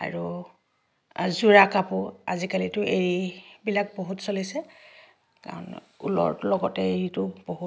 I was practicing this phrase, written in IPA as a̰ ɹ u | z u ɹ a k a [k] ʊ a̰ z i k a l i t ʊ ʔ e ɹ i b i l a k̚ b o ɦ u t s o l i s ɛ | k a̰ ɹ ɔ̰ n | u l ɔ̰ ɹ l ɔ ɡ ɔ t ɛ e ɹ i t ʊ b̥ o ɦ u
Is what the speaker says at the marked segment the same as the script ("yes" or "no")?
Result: no